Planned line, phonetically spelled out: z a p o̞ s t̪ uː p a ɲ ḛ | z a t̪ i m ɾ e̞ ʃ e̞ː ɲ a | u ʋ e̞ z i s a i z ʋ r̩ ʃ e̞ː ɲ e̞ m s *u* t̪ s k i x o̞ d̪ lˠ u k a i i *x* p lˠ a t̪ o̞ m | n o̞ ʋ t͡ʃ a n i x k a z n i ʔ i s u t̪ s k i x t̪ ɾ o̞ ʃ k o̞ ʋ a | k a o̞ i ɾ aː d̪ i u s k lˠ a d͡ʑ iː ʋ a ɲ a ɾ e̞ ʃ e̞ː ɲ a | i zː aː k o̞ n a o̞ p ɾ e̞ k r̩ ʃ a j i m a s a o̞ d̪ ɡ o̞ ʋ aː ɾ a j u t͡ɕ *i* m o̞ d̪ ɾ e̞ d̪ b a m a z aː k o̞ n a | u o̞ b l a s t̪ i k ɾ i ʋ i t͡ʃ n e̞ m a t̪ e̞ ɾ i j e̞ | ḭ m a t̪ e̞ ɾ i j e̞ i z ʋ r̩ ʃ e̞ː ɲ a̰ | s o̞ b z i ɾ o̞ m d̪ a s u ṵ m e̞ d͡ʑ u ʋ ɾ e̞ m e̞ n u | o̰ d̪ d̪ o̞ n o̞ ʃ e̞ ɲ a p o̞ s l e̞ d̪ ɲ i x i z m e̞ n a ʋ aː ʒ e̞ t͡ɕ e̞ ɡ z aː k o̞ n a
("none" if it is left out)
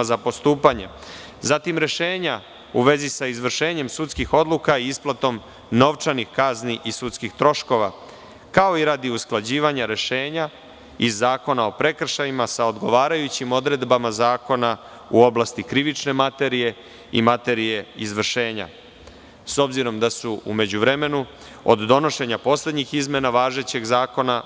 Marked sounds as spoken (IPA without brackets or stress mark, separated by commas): u, s, i